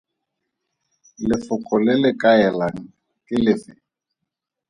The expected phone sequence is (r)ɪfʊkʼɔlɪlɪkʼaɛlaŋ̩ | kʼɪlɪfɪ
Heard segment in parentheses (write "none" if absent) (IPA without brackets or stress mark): l